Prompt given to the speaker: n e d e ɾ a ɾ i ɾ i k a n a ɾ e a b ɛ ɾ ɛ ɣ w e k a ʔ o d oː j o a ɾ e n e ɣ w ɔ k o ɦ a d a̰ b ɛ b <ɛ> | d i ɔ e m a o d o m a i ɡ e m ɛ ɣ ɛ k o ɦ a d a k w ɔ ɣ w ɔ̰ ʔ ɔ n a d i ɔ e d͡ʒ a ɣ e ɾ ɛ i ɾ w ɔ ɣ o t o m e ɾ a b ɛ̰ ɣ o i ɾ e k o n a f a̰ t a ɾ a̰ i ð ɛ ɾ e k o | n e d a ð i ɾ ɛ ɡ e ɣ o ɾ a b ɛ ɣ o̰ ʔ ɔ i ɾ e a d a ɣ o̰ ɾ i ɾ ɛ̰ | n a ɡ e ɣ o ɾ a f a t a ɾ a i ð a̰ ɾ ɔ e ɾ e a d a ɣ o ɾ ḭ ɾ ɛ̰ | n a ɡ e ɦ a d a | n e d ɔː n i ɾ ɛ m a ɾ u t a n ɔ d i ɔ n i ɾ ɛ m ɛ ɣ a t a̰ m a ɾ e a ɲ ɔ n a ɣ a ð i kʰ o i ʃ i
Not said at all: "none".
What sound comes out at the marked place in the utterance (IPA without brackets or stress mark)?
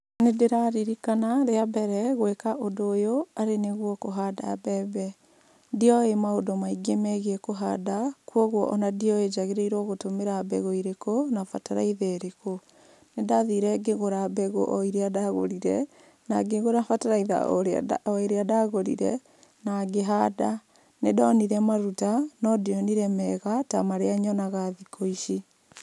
ɛ